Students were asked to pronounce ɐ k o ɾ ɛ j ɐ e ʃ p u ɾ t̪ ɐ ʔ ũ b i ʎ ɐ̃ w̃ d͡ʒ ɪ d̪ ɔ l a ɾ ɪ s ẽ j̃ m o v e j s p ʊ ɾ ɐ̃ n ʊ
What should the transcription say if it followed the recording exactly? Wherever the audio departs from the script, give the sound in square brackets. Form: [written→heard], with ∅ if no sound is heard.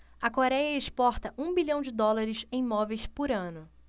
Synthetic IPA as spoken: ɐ k o ɾ ɛ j ɐ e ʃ p [u→ɔ] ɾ t̪ ɐ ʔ ũ b i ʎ ɐ̃ w̃ d͡ʒ ɪ d̪ ɔ l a ɾ ɪ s ẽ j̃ m [o→ɔ] v e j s p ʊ ɾ ɐ̃ n ʊ